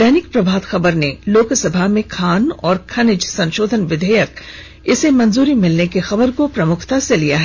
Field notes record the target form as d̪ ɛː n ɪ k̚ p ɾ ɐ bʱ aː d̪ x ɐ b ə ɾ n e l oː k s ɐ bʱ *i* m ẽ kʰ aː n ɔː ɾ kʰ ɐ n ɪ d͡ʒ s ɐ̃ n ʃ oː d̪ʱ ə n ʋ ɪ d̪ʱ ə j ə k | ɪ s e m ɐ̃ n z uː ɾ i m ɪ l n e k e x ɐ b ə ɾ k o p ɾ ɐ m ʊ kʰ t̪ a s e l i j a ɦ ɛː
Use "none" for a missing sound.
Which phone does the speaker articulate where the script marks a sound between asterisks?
a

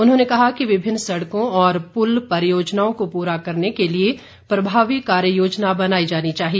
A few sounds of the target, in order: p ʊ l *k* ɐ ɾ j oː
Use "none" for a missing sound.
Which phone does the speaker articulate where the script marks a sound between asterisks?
p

